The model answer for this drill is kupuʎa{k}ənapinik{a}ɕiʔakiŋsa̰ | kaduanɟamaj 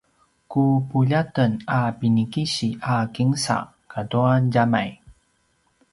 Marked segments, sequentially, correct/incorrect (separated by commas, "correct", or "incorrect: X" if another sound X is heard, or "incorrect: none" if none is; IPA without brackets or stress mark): incorrect: t, incorrect: i